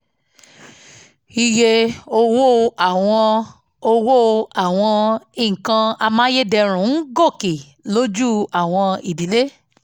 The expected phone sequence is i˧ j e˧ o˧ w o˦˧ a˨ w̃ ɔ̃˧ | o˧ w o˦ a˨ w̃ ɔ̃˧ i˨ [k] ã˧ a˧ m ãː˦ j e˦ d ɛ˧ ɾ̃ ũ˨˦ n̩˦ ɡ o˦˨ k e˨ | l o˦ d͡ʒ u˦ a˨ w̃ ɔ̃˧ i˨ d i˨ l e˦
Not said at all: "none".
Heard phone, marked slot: k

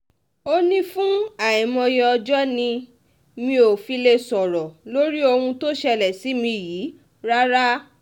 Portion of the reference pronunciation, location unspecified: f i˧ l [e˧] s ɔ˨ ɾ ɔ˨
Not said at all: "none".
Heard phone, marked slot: e˧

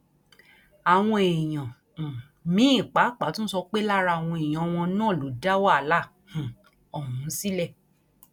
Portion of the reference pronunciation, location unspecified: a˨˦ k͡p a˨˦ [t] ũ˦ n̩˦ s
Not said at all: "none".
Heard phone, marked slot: t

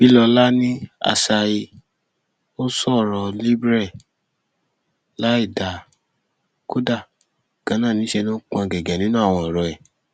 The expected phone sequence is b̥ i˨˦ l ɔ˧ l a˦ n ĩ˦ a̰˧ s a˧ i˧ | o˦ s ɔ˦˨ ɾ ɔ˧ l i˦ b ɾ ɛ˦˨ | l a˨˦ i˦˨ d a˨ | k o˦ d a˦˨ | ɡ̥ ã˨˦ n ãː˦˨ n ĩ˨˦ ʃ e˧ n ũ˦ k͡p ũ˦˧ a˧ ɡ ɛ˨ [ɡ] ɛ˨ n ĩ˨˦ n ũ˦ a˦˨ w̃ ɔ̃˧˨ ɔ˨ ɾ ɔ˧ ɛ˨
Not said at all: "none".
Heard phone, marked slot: ɡ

